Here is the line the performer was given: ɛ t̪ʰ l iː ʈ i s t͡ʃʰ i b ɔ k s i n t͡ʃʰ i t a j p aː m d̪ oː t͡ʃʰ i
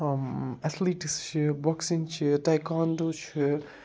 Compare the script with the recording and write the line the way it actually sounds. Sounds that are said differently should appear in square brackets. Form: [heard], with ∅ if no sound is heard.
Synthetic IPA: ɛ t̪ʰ l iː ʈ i s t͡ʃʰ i b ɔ k s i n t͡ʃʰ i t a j [k] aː [n] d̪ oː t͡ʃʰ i